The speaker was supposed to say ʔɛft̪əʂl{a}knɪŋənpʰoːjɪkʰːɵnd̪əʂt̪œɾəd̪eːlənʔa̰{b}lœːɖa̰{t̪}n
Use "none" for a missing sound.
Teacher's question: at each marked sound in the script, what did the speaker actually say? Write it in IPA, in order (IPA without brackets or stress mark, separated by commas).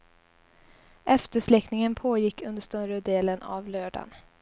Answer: ɛ, v, none